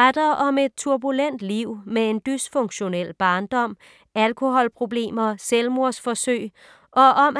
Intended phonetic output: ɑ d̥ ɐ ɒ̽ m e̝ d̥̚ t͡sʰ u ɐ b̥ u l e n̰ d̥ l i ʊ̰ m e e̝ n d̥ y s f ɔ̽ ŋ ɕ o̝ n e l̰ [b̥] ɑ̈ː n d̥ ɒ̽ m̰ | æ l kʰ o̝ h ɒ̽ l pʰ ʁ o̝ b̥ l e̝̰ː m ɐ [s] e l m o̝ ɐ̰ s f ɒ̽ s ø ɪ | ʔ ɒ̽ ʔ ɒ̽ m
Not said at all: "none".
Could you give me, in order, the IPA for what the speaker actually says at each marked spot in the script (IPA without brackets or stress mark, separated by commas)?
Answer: b̥, s